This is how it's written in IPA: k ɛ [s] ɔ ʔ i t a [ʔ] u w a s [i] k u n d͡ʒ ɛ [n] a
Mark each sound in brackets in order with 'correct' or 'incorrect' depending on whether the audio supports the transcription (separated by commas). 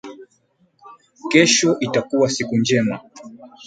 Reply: incorrect, incorrect, correct, incorrect